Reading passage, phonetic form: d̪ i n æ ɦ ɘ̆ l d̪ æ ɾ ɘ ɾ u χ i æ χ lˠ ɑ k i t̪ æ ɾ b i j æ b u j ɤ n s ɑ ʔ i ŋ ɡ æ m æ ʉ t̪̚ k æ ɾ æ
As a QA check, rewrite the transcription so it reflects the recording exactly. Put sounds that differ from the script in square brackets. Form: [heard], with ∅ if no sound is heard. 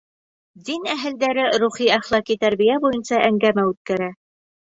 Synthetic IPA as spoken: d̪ i n æ ɦ ɘ̆ l d̪ æ ɾ ɘ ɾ u χ i æ χ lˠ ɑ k i t̪ æ ɾ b i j æ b u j ɤ n s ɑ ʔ [æ] ŋ ɡ æ m æ ʉ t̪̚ k æ ɾ æ